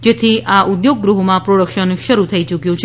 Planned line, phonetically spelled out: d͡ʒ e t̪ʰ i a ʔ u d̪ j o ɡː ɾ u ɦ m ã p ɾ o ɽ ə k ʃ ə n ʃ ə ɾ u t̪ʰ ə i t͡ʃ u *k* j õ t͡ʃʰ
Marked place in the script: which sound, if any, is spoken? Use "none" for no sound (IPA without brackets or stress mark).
k